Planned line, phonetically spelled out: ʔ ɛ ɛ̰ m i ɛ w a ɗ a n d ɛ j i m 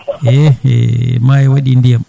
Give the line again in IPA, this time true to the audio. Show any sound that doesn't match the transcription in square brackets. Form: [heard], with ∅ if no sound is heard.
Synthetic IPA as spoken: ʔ ɛ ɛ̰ m [a] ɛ w a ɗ [i] n d [i] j [a] m